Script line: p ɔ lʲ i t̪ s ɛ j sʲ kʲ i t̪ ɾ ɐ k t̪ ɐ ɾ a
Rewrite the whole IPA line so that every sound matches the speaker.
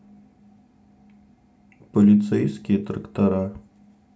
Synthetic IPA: p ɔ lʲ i t̪ s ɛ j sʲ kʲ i t̪ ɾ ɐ k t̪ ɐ ɾ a